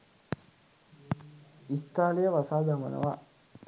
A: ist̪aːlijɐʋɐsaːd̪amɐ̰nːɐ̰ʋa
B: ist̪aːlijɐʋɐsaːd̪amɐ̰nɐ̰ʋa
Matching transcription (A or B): B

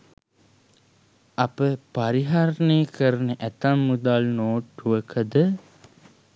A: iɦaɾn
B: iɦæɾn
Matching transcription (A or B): A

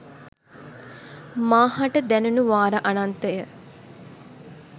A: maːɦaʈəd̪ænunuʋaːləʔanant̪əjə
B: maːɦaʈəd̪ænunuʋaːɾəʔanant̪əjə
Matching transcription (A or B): B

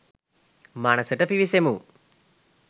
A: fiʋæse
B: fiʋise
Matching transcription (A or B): B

